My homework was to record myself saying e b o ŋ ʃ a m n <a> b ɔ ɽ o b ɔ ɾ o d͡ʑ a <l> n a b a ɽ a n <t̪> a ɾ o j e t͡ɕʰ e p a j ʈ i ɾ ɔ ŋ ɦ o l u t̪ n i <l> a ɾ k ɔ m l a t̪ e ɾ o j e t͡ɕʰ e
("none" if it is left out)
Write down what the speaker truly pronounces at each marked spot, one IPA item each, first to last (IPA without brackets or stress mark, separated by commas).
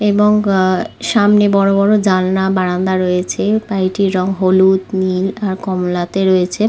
e, l, d̪, l